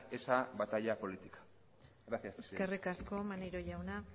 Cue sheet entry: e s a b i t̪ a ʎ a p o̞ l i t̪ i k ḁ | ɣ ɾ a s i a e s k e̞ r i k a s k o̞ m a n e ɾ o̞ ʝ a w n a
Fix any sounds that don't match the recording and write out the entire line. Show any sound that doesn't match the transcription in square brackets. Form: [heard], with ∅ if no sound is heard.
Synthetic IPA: e s a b [a] t̪ a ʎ a p o̞ l i t̪ i k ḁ | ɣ ɾ a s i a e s k e̞ r i k a s k o̞ m a n e ɾ o̞ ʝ a w n a